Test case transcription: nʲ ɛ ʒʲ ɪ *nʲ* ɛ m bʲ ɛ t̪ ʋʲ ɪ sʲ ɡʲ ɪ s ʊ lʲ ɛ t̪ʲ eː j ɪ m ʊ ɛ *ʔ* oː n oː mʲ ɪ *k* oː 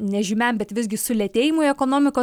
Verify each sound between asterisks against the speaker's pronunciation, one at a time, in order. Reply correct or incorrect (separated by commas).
incorrect, incorrect, correct